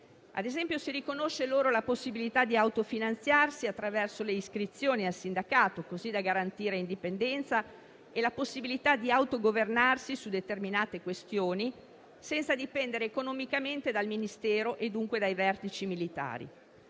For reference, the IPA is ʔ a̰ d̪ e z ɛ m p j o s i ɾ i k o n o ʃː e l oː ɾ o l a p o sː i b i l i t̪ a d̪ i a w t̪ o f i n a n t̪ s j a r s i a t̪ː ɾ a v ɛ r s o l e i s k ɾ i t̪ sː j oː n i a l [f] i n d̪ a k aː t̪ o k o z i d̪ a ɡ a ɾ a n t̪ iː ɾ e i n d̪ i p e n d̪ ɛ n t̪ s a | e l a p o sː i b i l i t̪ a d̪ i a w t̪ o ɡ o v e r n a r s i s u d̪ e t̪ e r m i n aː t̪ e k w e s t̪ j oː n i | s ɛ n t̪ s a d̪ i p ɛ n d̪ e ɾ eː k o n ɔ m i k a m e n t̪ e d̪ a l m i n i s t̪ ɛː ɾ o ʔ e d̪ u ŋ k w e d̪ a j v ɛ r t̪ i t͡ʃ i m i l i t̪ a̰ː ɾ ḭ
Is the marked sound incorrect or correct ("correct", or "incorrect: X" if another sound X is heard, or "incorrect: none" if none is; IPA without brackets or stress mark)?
incorrect: s